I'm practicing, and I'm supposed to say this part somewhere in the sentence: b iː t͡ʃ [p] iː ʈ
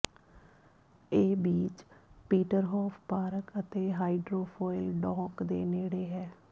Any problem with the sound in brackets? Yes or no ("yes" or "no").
no